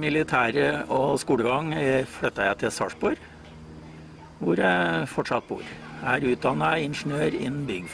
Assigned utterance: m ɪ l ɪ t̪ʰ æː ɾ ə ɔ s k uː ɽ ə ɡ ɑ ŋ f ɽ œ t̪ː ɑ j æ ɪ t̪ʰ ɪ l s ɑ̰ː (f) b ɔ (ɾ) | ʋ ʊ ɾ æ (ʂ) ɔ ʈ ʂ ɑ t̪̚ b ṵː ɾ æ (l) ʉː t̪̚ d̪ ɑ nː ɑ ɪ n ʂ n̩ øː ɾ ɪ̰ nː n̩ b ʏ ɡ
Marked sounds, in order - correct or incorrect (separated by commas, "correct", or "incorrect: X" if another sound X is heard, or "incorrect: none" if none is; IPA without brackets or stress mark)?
incorrect: ʂ, correct, incorrect: f, incorrect: ɾ